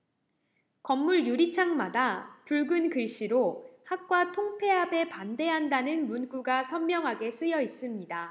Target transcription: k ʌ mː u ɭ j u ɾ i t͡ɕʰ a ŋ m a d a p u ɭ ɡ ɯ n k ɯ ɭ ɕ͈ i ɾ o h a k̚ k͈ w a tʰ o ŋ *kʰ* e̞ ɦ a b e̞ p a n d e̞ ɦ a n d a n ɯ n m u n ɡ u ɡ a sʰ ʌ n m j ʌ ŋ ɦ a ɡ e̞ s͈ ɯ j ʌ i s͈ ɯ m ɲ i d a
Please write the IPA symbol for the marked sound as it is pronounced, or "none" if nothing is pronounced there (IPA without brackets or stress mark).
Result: pʰ